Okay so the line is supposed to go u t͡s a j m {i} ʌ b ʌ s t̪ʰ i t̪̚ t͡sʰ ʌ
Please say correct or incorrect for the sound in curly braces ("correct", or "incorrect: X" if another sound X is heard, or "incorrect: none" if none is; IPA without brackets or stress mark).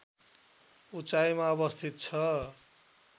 incorrect: a